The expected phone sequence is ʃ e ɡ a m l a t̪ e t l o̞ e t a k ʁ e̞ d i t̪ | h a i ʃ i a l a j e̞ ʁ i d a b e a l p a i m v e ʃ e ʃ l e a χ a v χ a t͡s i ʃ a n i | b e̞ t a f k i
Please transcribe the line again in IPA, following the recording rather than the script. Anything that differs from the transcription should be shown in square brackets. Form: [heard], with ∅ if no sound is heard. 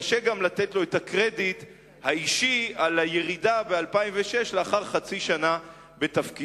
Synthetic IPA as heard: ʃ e ɡ a m l a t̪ e t l o̞ e t a k ʁ e̞ d i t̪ | h a i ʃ i a l a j e̞ ʁ i d a b e a l p a i m v e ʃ e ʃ l e a χ a [ʁ] χ a t͡s i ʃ a n [a] | b e̞ t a f k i